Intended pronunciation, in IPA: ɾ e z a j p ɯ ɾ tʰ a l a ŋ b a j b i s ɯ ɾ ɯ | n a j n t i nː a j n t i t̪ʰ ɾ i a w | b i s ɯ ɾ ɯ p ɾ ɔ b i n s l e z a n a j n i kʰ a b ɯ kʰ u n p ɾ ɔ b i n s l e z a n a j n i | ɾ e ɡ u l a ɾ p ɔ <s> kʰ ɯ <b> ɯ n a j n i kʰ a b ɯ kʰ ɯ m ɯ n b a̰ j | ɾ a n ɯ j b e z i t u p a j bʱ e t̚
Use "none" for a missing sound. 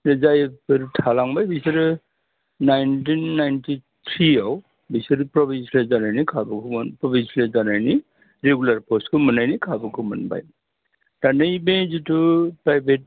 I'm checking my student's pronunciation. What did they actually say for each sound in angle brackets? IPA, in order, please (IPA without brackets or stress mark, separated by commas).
s, m